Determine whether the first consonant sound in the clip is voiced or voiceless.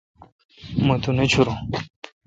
voiced